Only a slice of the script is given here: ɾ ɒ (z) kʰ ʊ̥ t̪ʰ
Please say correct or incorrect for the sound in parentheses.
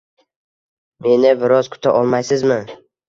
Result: correct